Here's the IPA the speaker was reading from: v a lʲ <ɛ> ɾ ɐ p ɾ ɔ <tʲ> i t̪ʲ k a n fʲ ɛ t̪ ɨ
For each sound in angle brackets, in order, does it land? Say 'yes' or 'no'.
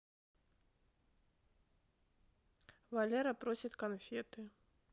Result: yes, no

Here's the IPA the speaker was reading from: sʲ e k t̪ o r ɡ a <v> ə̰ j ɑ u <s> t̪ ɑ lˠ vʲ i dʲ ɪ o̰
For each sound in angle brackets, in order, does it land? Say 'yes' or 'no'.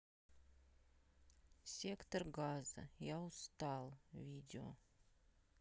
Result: no, yes

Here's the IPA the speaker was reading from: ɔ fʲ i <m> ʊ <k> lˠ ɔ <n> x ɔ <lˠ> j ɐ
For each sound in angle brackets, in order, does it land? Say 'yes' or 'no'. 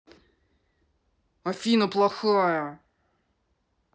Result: no, no, no, no

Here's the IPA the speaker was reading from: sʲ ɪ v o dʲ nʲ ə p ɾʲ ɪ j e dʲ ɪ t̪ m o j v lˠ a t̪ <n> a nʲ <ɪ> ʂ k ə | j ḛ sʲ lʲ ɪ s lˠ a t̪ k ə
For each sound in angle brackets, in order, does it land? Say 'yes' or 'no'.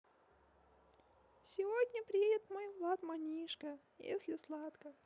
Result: no, no

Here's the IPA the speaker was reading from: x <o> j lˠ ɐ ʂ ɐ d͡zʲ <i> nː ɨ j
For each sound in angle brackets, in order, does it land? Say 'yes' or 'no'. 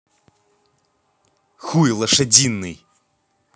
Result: no, yes

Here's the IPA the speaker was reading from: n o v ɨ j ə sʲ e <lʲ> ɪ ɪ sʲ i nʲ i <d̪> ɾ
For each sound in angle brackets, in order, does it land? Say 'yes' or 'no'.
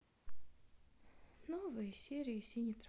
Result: no, no

